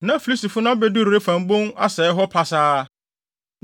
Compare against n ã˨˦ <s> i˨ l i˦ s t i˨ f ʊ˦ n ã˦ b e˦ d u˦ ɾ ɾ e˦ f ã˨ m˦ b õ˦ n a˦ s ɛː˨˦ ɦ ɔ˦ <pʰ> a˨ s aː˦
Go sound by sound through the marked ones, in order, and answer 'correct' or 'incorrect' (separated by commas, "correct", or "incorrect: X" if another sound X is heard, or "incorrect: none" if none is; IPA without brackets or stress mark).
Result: incorrect: f, correct